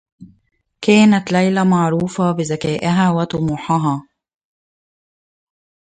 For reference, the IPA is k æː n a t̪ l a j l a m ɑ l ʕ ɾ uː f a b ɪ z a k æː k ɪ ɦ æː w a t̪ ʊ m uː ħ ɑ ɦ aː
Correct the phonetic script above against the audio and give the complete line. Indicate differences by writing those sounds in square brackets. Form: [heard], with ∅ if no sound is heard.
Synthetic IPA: k æː n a t̪ l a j l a m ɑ [∅] ʕ ɾ uː f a b ɪ z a k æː [ʔ] ɪ ɦ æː w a t̪ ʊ m uː ħ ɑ ɦ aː